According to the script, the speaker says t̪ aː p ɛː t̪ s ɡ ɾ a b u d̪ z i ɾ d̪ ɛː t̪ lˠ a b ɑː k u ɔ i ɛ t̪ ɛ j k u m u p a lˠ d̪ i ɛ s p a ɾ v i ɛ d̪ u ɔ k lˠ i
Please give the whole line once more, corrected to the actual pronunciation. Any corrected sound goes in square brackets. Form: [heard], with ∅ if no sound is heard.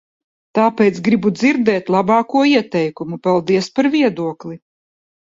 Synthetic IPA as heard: t̪ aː p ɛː t̪ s ɡ ɾ [i] b u d̪ z i ɾ d̪ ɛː t̪ lˠ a b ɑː k u ɔ i ɛ t̪ ɛ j k u m u p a lˠ d̪ i ɛ s p a ɾ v i ɛ d̪ u ɔ k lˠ i

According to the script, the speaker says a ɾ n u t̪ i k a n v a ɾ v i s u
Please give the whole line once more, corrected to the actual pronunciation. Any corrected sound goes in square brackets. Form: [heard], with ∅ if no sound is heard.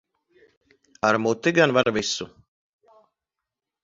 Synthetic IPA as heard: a ɾ [m] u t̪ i [ɡ] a n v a ɾ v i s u

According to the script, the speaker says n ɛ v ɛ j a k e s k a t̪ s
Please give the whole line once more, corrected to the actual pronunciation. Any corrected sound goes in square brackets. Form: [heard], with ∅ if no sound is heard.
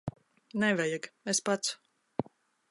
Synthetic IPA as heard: n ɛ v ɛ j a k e s [p] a t̪ s

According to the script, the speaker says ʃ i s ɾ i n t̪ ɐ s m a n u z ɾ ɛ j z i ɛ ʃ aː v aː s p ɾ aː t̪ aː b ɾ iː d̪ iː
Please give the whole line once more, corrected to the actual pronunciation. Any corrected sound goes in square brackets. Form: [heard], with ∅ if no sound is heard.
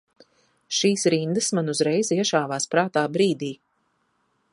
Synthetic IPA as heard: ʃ [iː] s ɾ i n [d̪] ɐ s m a n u z ɾ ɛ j z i ɛ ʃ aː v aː s p ɾ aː t̪ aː b ɾ iː d̪ iː

